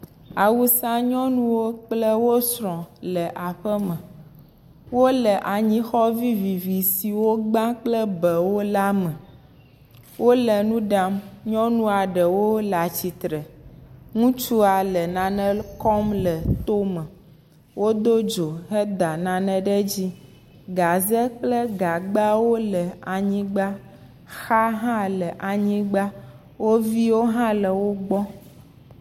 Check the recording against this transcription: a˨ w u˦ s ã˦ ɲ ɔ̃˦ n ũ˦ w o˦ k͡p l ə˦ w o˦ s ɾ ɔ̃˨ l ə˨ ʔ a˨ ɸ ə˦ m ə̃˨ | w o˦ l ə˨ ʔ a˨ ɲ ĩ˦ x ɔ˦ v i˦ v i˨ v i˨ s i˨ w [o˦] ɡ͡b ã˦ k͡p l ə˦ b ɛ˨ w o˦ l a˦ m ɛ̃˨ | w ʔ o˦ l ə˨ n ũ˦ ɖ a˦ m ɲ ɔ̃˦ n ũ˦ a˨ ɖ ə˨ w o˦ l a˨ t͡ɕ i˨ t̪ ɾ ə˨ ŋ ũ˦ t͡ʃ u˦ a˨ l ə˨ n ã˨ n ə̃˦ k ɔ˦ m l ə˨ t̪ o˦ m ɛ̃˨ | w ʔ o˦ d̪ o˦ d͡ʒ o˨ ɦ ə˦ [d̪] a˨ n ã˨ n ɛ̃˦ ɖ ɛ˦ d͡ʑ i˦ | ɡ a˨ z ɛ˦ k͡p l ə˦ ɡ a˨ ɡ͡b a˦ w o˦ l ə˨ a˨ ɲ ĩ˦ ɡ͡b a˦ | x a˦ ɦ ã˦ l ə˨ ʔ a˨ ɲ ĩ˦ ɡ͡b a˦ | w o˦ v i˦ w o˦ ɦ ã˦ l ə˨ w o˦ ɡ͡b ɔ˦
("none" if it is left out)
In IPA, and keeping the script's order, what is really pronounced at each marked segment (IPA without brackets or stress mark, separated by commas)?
o˦, d̪